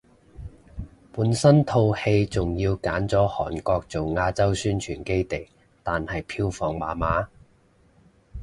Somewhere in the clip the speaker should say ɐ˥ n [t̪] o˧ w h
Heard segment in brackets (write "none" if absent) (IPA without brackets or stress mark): t̪ʰ